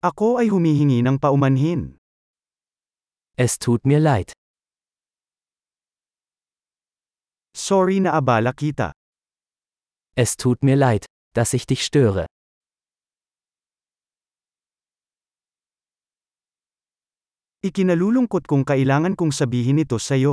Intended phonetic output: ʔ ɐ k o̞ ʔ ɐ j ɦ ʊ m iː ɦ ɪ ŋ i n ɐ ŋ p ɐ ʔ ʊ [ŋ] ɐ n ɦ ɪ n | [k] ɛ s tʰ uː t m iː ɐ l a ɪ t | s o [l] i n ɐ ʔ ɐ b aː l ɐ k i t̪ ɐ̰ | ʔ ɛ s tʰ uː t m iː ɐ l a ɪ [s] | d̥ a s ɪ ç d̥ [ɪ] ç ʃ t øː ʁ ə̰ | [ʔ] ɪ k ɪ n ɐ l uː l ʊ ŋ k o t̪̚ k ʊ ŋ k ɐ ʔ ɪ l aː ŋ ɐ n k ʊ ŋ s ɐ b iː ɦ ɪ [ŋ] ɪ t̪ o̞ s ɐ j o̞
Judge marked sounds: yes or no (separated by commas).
no, no, no, no, yes, yes, no